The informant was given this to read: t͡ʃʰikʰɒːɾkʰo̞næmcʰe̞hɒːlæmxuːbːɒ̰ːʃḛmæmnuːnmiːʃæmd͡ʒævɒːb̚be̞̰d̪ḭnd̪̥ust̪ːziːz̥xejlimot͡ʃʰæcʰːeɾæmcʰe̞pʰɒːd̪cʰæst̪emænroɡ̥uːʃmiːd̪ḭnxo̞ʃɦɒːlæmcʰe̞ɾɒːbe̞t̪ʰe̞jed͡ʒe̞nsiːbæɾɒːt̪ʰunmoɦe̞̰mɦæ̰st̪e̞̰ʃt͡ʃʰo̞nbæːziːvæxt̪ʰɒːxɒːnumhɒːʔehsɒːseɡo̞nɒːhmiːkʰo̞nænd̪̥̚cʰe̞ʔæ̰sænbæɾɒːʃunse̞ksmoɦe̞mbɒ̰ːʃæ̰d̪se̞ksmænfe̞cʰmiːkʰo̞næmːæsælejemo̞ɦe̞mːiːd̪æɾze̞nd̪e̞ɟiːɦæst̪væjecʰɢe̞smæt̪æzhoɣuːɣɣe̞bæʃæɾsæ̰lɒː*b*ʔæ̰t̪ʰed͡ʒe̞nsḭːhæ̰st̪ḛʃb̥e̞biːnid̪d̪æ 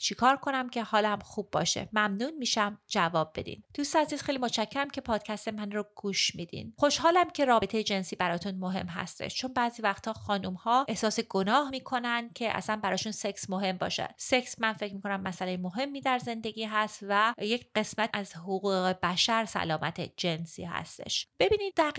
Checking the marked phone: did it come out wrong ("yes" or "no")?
yes